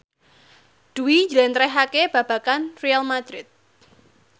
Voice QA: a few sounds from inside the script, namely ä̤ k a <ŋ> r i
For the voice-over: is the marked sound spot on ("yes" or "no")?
no